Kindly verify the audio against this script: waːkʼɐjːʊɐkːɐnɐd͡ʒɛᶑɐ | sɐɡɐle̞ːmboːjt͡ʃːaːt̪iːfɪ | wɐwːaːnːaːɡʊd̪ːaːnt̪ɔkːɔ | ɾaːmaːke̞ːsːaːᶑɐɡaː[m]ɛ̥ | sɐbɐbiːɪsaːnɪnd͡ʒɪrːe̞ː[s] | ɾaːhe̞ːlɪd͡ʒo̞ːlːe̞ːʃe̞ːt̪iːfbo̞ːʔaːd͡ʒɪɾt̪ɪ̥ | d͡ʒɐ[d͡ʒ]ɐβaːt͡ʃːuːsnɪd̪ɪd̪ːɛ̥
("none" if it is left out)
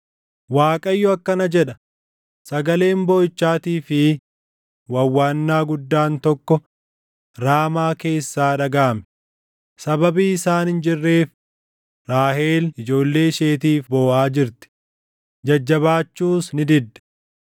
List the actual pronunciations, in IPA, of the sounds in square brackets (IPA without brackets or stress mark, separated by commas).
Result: m, f, d͡ʒː